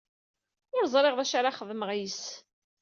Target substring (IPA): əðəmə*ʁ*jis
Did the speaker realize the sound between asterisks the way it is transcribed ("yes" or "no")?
yes